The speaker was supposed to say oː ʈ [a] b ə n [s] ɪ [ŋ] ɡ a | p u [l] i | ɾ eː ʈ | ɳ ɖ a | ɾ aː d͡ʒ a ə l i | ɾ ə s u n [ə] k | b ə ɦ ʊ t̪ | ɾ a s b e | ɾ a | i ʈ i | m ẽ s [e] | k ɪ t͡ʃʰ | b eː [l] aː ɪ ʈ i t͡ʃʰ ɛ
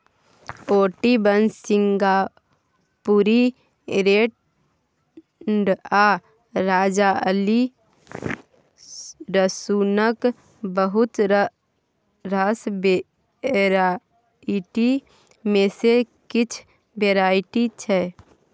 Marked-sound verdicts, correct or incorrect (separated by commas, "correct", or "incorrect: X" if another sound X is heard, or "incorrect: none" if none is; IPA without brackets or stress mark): incorrect: i, correct, correct, incorrect: ɾ, correct, correct, incorrect: ɾ